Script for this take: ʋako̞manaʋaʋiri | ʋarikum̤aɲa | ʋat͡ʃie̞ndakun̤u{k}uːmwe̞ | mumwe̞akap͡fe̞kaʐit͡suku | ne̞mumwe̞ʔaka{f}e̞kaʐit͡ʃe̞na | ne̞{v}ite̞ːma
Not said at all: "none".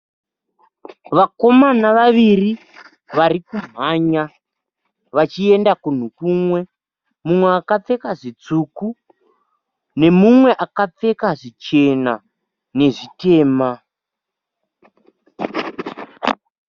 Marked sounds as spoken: k, p͡f, ʐ

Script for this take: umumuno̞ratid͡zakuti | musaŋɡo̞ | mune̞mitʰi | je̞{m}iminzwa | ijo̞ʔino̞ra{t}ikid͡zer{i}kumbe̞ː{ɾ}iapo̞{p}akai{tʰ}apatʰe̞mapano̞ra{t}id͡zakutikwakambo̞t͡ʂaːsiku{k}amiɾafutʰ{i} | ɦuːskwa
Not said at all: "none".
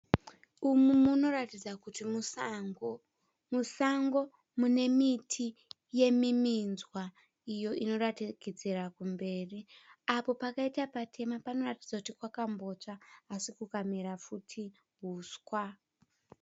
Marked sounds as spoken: m, t, a, r, p, t, t, k, i

